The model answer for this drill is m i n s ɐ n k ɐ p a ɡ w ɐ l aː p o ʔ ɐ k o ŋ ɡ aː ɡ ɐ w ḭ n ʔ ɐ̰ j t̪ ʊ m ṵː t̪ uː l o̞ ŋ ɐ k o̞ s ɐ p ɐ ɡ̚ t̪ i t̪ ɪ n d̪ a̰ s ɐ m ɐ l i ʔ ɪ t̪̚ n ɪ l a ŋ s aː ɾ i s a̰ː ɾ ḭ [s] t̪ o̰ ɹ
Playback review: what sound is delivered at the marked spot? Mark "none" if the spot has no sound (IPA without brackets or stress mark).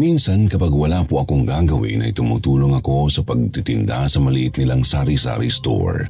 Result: s